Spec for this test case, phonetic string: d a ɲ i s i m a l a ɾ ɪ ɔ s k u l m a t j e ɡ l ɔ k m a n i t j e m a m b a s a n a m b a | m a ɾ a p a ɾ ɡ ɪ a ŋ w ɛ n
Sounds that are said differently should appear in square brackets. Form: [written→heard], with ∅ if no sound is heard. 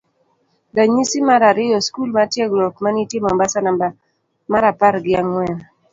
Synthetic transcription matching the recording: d a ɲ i s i m a [l→ɾ] a ɾ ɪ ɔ s k u l m a t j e ɡ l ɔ k m a n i t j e m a m b a s a n a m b a | m a ɾ a p a ɾ ɡ ɪ a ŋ w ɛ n